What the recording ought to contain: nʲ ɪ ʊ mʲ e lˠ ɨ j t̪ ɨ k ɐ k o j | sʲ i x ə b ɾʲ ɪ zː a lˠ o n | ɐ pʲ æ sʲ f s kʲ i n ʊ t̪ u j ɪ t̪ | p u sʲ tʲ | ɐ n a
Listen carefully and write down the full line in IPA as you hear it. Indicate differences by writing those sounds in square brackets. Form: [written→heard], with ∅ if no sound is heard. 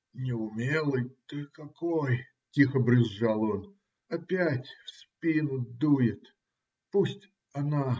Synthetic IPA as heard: nʲ ɪ ʊ mʲ e lˠ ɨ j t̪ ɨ k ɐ k o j | [sʲ→tʲ] i x ə b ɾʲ ɪ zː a lˠ o n | ɐ pʲ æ [sʲ→tʲ] f s [kʲ→pʲ] i n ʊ [t̪→d̪] u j ɪ t̪ | p u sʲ tʲ | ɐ n a